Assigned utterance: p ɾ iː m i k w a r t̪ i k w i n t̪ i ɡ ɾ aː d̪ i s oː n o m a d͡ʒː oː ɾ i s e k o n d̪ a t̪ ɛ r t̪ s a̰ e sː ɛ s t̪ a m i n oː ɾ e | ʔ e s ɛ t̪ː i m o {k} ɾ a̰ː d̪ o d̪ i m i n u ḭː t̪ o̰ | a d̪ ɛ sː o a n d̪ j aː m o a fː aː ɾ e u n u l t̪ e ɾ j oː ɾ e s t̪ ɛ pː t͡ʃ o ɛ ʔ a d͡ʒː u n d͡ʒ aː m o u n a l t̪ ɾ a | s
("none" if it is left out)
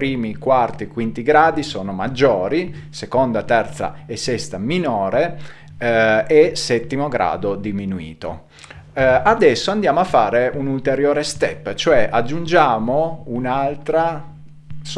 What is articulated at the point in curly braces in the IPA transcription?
ɡ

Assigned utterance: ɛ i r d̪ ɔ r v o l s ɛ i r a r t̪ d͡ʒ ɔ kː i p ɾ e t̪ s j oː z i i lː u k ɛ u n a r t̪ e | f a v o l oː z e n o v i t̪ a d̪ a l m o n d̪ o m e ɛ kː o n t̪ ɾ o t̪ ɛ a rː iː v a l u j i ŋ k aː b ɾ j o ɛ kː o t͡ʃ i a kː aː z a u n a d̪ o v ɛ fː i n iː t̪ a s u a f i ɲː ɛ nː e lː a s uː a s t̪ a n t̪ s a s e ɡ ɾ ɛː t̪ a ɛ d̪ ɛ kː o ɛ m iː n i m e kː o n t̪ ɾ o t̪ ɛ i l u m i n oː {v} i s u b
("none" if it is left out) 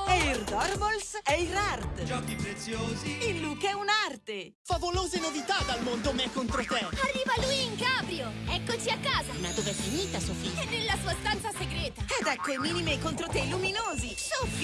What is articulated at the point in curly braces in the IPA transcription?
z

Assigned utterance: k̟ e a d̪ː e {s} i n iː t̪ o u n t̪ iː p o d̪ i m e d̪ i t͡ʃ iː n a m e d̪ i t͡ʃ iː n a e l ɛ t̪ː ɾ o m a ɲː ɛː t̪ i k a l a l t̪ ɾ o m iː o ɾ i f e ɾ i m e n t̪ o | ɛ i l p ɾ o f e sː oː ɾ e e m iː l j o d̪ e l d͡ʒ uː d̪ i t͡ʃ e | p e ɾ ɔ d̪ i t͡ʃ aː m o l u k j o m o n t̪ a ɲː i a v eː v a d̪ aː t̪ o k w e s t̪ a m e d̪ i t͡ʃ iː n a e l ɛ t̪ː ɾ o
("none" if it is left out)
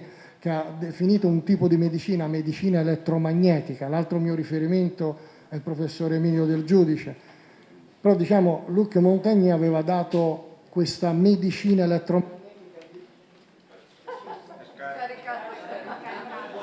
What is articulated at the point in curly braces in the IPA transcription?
f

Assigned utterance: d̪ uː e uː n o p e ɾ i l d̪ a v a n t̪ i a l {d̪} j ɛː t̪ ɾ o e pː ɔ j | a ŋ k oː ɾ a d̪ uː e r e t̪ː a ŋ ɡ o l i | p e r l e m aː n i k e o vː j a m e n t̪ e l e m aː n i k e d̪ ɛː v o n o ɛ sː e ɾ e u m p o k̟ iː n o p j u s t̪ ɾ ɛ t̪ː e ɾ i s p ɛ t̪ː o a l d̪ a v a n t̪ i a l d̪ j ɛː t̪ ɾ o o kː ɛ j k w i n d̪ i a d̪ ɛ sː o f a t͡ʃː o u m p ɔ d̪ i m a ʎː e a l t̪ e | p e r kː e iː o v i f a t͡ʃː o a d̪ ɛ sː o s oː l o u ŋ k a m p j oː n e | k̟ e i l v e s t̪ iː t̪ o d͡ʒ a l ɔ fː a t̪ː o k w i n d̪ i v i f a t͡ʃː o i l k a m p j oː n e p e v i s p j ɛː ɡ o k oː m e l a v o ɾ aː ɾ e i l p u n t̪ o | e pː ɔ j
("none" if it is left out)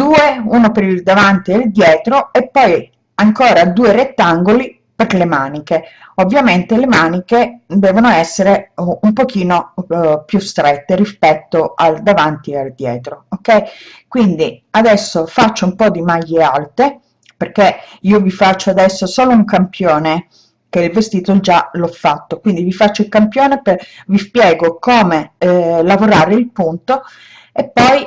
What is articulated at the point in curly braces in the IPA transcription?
d̪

